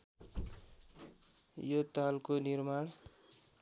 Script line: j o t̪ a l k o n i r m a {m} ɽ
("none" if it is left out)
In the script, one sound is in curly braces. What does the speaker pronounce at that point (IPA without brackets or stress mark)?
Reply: none